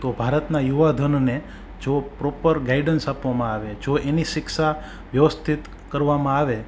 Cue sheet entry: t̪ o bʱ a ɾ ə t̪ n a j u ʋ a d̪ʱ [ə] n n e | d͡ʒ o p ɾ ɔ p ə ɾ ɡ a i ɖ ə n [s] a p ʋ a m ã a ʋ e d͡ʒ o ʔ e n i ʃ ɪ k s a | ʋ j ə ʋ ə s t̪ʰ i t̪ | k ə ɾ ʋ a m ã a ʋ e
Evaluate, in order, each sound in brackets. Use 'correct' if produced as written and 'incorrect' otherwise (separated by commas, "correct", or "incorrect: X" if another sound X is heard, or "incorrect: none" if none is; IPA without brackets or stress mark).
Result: correct, correct